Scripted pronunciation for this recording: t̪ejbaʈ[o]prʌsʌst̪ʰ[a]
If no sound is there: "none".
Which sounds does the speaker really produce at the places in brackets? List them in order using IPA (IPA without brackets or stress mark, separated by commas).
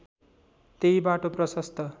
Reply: o, ʌ